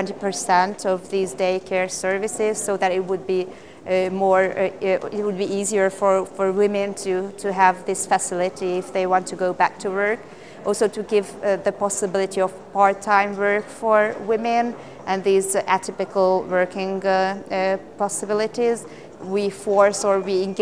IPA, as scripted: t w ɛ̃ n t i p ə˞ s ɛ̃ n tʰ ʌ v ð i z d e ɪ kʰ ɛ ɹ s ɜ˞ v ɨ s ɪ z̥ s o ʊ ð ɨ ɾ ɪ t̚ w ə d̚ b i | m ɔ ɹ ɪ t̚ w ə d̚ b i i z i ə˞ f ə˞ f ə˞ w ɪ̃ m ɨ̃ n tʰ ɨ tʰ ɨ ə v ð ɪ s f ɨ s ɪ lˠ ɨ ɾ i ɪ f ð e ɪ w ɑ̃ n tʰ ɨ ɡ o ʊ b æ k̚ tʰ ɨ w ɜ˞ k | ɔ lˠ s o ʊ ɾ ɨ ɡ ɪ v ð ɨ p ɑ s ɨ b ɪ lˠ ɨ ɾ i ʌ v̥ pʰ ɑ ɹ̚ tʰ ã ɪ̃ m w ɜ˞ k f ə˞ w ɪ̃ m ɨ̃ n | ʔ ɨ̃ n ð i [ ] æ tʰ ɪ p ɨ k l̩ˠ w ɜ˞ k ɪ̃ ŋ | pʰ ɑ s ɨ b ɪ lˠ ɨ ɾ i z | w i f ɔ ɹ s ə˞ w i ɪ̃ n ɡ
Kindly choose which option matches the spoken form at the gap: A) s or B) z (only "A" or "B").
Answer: B